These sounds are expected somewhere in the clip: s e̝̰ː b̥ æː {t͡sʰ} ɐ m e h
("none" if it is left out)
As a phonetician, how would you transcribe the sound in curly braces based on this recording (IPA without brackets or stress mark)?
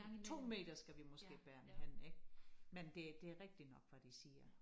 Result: none